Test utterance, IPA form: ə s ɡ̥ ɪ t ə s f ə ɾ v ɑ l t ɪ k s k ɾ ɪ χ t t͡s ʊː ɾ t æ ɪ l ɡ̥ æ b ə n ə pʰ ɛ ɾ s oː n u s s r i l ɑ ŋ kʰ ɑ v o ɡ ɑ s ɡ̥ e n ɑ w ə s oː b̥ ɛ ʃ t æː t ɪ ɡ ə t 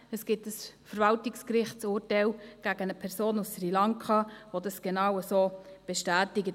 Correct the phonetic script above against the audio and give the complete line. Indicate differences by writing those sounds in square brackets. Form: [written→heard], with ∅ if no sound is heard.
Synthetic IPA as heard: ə s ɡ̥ ɪ t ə s f ə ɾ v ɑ l t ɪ k s k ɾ ɪ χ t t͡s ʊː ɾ t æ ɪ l ɡ̥ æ [b→ɡ] ə n ə pʰ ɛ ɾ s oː n u s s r i l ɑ ŋ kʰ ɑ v o [ɡ→d] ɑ s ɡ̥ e n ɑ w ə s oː b̥ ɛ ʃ t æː t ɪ ɡ ə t